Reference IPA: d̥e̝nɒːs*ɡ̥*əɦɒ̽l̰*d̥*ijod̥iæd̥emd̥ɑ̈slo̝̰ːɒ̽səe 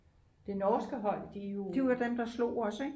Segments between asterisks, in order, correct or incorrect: correct, correct

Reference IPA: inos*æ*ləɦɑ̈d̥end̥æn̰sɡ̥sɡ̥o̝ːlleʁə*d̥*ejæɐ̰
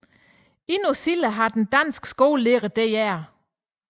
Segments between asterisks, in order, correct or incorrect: incorrect: i, correct

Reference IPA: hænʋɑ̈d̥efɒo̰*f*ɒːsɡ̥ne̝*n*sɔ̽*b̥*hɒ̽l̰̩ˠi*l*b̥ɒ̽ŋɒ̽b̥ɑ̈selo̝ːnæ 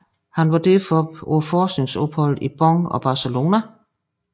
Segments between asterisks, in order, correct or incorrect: correct, incorrect: ŋ, correct, incorrect: none

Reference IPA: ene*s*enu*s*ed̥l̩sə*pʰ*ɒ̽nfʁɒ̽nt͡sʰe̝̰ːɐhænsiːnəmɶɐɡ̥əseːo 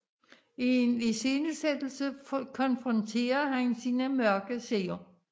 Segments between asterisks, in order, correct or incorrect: correct, correct, incorrect: kʰ

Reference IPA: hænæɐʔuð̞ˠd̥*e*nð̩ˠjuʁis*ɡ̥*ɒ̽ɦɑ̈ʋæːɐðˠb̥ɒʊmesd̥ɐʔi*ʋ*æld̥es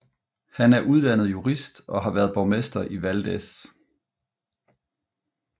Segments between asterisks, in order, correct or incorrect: incorrect: æ, incorrect: d̥, correct

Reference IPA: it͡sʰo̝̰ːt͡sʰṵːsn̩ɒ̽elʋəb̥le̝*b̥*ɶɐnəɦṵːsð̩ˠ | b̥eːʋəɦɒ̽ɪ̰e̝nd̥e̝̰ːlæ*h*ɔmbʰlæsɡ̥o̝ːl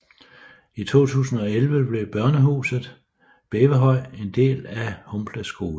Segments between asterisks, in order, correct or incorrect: correct, correct

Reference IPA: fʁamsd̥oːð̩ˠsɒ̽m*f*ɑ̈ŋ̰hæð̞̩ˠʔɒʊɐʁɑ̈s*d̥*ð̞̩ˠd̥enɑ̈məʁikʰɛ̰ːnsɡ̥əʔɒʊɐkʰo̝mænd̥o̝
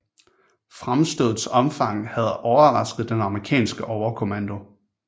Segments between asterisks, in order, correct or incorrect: correct, incorrect: ɡ̥

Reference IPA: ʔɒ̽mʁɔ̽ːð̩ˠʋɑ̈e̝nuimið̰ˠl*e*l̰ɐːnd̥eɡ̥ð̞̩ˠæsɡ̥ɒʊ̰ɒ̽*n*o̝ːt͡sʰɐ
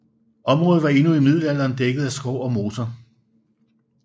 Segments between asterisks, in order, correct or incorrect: incorrect: æ, incorrect: m

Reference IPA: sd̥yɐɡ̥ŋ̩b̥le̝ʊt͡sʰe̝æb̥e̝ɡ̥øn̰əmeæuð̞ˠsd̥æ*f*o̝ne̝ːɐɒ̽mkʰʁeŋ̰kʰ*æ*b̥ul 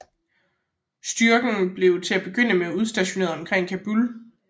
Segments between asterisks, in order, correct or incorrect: incorrect: ɕ, correct

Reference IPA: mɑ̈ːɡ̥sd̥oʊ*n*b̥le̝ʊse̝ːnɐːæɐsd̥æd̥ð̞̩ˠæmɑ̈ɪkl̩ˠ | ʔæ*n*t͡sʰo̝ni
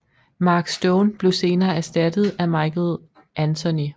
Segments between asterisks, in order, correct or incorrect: correct, correct

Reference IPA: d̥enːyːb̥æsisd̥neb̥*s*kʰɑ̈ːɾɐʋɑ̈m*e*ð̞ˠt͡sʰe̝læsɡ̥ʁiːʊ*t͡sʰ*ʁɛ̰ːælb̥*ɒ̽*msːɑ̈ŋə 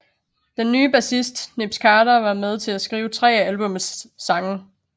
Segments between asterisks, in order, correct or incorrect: correct, correct, correct, incorrect: ɔ̽

